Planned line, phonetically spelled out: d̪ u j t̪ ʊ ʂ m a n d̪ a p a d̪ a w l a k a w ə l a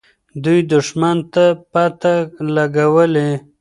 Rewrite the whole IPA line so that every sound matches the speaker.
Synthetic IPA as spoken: d̪ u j d̪ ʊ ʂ m a n t̪ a p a t̪ a l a ɡ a w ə l e

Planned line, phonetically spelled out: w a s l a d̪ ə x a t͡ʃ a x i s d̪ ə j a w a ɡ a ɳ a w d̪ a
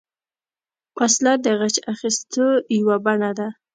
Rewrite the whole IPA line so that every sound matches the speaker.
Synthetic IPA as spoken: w a s l a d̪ ə ɣ a t͡ʃ a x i s t̪ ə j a w a b a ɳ a d̪ a

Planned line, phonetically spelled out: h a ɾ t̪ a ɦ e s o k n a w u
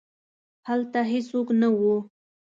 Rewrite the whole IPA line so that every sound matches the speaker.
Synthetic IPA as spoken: h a l t̪ a ɦ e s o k n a w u

